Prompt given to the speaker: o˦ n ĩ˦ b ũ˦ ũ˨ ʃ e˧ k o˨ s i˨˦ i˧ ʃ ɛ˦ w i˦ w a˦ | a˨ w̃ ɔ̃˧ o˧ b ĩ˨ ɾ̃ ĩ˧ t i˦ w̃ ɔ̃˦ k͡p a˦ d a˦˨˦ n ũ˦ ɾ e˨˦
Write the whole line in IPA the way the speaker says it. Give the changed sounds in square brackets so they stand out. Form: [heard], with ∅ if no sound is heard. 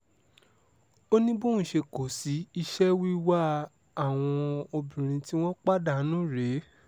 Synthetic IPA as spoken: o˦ n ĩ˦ b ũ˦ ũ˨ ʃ e˧ k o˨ s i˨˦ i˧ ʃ ɛ˦ w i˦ w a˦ | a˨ w̃ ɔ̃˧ o˧ b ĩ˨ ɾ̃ ĩ˧ t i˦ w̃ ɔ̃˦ k͡p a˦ d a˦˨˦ n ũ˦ ɾ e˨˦